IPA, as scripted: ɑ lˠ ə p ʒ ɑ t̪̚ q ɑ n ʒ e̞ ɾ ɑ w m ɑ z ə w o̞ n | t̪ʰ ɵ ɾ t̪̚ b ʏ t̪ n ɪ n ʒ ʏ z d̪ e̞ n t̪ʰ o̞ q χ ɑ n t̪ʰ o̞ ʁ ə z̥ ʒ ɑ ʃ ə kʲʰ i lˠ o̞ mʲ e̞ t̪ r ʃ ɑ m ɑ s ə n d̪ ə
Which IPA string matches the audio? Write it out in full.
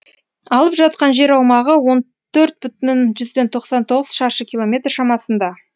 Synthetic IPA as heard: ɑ lˠ ə p ʒ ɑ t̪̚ q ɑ n ʒ e̞ ɾ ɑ w m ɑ ʁ ə w o̞ n | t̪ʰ ɵ ɾ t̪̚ b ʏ t̪ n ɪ n ʒ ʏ z d̪ e̞ n t̪ʰ o̞ q s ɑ n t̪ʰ o̞ ʁ ə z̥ ʃ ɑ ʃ ə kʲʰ i lˠ o̞ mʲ e̞ t̪ r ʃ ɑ m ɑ s ə n d̪ ɑ